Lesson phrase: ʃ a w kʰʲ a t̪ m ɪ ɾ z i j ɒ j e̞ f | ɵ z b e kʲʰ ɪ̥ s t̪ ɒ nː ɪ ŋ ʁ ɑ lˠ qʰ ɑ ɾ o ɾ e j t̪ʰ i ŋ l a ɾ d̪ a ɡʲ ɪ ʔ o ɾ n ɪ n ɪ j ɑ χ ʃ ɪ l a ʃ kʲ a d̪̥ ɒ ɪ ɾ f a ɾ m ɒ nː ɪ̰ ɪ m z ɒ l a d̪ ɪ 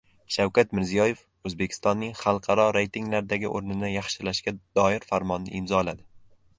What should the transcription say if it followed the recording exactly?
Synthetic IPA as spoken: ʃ a w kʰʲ a t̪ m ɪ ɾ z i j ɒ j e̞ f | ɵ z b e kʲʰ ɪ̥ s t̪ ɒ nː ɪ ŋ χ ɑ lˠ qʰ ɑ ɾ ɒ ɾ e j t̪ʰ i ŋ l a ɾ d̪ a ɡʲ ɪ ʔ o ɾ n ɪ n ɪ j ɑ χ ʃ ɪ l a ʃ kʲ a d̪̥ ɒ ɪ ɾ f a ɾ m ɒ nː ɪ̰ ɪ m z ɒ l a d̪ ɪ